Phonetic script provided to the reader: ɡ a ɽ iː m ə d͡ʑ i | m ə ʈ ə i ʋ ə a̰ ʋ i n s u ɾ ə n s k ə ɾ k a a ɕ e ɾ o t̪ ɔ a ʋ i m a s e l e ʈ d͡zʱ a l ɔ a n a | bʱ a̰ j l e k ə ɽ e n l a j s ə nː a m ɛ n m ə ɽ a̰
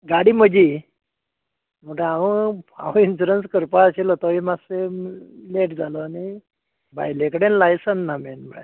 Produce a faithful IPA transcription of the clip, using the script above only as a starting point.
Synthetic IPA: ɡ a ɽ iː m ə d͡ʑ i | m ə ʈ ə a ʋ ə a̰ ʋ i n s u ɾ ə n s k ə ɾ p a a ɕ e l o t̪ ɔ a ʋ i m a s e l e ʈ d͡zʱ a l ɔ a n i | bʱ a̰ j l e k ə ɽ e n l a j s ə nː a m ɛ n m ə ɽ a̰